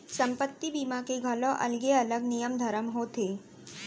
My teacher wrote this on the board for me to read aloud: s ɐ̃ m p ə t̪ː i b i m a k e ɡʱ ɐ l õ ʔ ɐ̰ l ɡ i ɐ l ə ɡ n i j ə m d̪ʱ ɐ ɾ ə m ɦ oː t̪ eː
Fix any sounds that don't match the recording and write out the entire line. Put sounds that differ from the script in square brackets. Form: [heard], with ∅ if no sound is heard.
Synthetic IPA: s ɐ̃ m p ə t̪ː i b i m a k e ɡʱ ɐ l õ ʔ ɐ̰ l ɡ [e] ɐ l ə ɡ n i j ə m d̪ʱ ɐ ɾ ə m ɦ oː t̪ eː